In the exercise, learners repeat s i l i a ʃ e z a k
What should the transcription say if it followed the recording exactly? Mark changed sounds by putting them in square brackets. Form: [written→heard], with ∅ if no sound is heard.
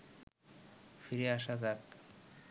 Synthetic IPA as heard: [s→f] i [l→ɾ] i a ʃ [e→a] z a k